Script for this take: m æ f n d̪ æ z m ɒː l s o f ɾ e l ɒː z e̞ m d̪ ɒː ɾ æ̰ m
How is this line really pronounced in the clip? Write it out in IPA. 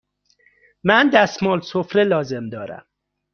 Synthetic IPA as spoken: m æ n d̪ æ s m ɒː l s o f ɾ e l ɒː z e̞ m d̪ ɒː ɾ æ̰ m